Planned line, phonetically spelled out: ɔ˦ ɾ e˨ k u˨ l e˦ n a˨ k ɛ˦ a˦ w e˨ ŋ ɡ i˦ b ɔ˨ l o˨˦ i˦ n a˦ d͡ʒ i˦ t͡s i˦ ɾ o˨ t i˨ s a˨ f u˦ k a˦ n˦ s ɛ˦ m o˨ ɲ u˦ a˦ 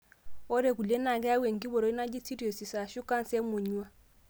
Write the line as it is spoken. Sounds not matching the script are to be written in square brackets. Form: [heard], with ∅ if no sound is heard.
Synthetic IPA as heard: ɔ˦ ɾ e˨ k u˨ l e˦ n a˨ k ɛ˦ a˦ w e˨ ŋ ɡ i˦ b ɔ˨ [ɾ] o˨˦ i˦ n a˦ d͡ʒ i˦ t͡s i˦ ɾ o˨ [s] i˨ s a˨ [ʃ] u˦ k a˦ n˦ s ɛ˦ m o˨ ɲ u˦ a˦